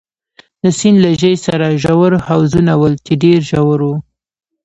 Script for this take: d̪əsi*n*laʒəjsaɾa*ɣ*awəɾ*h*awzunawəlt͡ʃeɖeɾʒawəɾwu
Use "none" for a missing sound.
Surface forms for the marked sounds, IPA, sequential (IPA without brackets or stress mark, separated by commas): n, ʒ, h